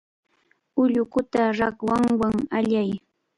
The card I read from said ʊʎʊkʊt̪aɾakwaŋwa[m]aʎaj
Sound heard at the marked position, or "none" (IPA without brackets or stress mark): ŋ